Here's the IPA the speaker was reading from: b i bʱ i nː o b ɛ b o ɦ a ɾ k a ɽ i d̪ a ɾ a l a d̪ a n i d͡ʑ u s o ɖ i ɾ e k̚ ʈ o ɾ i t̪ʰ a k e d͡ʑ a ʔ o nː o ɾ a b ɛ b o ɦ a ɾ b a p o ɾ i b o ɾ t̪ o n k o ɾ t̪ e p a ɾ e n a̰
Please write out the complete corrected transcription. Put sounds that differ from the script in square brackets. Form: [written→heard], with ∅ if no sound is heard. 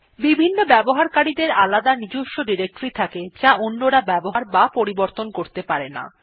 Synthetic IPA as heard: b i bʱ i nː o b ɛ b o ɦ a ɾ k a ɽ i d̪ [a→e] ɾ a l a d̪ a n i d͡ʑ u [s→ʃ] o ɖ i ɾ e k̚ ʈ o ɾ i t̪ʰ a k e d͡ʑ a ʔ o nː o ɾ a b ɛ b o ɦ a ɾ b a p o ɾ i b o ɾ t̪ o n k o ɾ t̪ e p a ɾ e n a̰